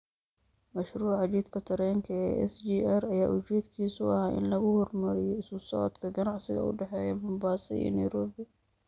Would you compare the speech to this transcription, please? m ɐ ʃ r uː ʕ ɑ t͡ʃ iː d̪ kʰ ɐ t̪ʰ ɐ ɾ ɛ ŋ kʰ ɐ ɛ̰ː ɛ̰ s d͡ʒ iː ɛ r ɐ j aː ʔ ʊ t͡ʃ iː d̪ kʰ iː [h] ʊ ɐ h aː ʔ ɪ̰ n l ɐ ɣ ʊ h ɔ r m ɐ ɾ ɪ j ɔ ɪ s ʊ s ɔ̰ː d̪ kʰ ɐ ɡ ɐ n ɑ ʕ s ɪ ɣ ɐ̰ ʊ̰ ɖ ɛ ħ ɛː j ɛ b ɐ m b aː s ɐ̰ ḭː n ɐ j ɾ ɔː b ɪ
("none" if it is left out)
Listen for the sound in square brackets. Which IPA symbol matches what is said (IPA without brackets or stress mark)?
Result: s